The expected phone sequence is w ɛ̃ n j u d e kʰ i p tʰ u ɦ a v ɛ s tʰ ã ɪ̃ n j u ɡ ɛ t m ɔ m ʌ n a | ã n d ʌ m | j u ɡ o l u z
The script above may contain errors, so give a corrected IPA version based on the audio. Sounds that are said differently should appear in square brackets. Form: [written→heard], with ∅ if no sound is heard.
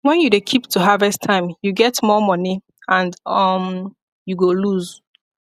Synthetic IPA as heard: w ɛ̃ n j u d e kʰ i p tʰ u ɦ a v ɛ s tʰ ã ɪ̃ [n→m] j u ɡ ɛ t m ɔ m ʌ n [a→i] | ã n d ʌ m | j u ɡ o l u z

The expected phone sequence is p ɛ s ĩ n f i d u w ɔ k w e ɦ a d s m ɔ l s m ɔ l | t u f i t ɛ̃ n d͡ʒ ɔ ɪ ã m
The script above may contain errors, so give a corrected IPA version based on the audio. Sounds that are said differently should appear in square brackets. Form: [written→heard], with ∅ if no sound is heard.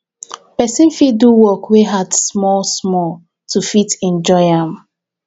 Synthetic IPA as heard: p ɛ s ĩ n f i d u w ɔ k w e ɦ a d s m ɔ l s m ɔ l | t u f i t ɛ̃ n d͡ʒ ɔ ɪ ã m

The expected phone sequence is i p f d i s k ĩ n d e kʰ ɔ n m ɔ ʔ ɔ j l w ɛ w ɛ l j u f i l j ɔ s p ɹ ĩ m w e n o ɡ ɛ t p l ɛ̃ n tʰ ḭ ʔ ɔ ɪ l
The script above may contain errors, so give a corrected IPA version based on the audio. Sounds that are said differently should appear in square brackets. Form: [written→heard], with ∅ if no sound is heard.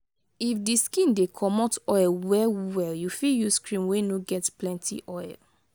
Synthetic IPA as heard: i [p→∅] f d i s k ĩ n d e kʰ ɔ [n→∅] m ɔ [ʔ→t] ɔ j l w ɛ w ɛ l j u f i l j [ɔ→u] s [p→k] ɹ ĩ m w e n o ɡ ɛ t p l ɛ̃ n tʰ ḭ ʔ ɔ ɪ l

